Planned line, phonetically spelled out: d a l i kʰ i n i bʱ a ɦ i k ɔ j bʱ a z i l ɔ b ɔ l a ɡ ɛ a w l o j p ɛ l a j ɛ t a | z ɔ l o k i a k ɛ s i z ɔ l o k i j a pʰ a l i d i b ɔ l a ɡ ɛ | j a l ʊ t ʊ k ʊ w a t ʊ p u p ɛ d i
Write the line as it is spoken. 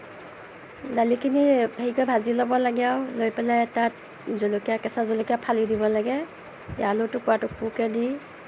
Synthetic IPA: d a l i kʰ i n i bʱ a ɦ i k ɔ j bʱ a z i l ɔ b ɔ l a ɡ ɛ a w l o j p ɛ l a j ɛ t a | z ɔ l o k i a k ɛ s a z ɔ l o k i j a pʰ a l i d i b ɔ l a ɡ ɛ | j a l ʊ t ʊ k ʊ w a t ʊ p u k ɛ d i